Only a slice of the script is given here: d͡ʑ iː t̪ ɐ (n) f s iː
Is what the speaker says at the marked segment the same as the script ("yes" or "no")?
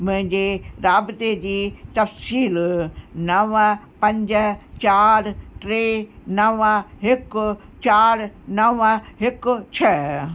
no